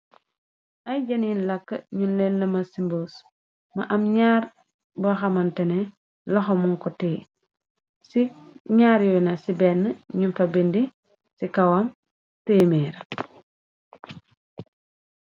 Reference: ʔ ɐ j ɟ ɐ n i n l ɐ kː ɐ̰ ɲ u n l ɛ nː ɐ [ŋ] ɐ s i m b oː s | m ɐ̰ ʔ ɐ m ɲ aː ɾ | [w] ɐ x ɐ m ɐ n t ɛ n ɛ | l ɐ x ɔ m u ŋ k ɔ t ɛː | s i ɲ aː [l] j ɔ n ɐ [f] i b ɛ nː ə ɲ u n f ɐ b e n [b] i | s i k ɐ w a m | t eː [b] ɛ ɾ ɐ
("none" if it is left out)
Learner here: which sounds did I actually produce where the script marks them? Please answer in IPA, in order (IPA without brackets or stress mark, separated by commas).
m, b, ɾ, s, d, m